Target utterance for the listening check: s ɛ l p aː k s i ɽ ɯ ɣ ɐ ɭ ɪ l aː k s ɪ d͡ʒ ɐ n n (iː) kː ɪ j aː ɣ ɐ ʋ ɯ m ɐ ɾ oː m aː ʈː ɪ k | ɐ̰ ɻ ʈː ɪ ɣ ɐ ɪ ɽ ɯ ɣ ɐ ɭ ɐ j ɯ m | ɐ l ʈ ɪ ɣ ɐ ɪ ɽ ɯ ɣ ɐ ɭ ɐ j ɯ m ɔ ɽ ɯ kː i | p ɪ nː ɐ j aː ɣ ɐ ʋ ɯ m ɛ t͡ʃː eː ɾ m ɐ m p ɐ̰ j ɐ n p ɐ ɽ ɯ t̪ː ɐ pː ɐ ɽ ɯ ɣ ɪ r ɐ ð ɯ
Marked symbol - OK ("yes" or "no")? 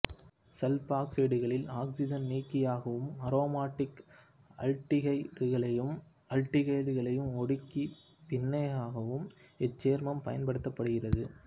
yes